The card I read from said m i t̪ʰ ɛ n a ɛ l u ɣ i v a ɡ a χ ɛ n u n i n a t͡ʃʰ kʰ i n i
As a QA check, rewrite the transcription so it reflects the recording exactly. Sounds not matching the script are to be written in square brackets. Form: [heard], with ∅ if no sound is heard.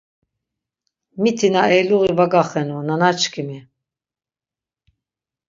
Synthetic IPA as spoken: m i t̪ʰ [i] n a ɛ l u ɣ i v a ɡ a χ ɛ n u n [a] n a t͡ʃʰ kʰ i [m] i